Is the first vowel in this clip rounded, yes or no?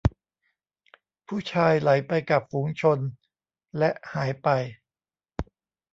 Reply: yes